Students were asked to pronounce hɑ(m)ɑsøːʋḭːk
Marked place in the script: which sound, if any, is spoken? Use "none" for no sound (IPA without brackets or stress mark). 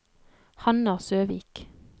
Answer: n